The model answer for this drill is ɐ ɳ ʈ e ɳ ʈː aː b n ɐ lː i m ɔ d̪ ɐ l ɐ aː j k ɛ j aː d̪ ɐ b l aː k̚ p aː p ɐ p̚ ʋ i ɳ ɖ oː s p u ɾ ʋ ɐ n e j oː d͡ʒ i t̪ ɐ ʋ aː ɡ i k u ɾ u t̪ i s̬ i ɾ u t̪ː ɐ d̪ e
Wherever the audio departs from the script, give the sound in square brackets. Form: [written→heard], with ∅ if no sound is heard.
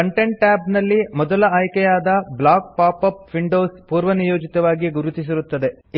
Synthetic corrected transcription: ɐ ɳ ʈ e ɳ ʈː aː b n ɐ lː i m ɔ d̪ ɐ l ɐ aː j k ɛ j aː d̪ ɐ b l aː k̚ p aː p ɐ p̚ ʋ i ɳ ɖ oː s p [u→uː] ɾ ʋ ɐ n [e→i] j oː d͡ʒ i t̪ ɐ ʋ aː ɡ i [k→ɡ] u ɾ u t̪ i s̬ i ɾ u t̪ː ɐ d̪ e